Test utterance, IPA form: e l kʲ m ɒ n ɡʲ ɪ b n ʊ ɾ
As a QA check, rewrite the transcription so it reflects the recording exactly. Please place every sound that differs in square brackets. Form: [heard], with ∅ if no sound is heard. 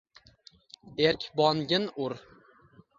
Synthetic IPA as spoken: e [ɾ] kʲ [b] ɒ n ɡʲ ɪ [∅] n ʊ ɾ